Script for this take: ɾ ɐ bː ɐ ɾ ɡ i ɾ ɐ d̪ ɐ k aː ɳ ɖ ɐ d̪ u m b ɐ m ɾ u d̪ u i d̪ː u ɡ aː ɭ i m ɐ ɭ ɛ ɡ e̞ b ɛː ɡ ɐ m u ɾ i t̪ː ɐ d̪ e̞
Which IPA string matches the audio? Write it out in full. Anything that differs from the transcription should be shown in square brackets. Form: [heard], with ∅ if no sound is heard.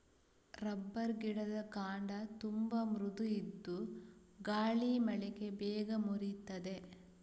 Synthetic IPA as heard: ɾ ɐ bː ɐ ɾ ɡ i [ɽ] ɐ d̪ ɐ k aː ɳ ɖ ɐ [t̪] u m b ɐ m ɾ u d̪ u i d̪ː u ɡ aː ɭ i m ɐ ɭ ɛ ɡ e̞ b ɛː ɡ ɐ m u ɾ i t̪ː ɐ d̪ e̞